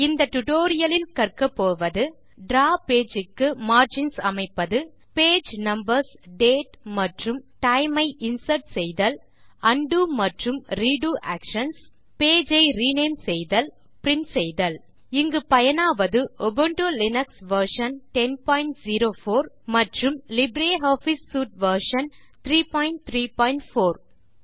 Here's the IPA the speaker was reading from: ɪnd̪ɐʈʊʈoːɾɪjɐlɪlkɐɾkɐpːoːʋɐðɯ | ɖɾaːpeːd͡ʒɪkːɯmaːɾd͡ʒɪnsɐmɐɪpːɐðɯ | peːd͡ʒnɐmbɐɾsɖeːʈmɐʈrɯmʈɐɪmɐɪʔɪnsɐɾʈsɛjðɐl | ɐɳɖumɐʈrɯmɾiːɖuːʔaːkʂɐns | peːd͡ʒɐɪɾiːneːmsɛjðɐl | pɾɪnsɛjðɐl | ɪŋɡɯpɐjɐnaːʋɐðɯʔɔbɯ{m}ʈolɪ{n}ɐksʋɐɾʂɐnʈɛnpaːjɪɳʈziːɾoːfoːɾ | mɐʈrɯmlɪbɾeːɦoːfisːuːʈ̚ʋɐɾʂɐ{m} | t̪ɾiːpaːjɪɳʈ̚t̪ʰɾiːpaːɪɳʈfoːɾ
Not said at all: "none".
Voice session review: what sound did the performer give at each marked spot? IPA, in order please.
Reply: ɳ, n, n

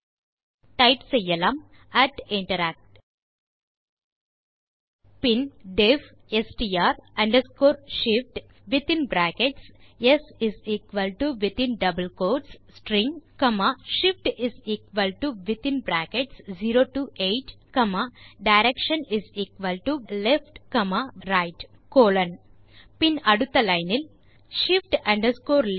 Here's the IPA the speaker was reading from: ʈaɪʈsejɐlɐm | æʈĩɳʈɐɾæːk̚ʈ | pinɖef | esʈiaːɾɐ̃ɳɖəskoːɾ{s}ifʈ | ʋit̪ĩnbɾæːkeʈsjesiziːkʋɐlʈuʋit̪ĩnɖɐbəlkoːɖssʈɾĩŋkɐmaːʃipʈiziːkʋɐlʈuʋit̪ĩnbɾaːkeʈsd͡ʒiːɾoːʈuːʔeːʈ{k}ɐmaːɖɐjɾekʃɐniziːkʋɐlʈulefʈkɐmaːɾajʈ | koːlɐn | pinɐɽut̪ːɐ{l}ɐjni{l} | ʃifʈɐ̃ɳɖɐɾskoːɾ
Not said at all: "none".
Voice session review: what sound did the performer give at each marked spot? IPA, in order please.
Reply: ʃ, k, l, l

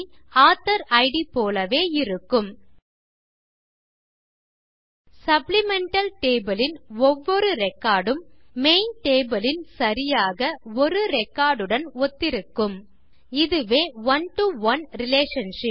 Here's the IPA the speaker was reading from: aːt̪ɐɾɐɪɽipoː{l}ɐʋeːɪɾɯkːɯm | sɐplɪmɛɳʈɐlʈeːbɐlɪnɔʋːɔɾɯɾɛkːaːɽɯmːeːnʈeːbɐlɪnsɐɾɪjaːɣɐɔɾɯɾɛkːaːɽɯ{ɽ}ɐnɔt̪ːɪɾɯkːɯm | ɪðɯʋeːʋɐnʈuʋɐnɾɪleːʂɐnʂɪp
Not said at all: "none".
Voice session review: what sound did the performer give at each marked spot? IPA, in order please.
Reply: l, ɽ

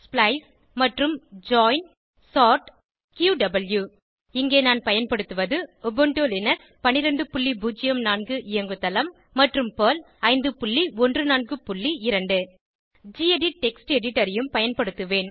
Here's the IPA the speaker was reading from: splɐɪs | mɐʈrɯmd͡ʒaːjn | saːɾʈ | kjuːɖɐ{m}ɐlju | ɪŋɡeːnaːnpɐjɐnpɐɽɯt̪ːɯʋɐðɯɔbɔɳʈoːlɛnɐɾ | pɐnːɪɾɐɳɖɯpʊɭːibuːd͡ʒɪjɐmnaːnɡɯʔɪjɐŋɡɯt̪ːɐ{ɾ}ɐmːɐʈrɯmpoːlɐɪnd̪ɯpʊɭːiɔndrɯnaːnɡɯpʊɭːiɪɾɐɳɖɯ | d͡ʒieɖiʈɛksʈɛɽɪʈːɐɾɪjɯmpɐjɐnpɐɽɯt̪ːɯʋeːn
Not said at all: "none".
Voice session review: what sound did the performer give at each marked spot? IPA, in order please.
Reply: b, l

